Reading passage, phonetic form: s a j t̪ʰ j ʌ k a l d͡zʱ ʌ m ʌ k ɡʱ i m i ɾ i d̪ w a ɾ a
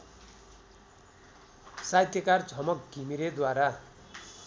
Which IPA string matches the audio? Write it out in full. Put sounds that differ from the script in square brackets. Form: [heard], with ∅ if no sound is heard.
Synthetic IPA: s a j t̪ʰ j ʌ k a [r] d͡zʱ ʌ m ʌ k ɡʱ i m i ɾ [e] d̪ w a ɾ a